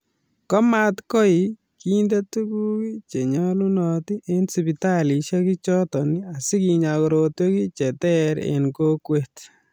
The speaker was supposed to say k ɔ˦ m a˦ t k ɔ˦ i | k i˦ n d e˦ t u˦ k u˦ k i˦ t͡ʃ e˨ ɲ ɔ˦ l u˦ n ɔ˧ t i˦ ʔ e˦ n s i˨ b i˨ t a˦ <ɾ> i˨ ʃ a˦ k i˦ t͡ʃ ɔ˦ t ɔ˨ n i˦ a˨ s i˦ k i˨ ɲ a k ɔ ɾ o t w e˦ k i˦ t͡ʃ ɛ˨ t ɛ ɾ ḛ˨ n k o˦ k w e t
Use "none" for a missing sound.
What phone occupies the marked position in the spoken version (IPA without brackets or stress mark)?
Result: l